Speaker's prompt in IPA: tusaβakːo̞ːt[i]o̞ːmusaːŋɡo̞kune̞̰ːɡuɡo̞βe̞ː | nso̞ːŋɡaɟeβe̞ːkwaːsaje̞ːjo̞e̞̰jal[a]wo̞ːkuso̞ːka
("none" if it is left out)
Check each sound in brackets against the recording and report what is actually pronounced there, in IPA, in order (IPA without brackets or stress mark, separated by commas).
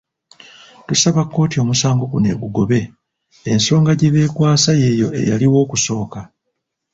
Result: i, i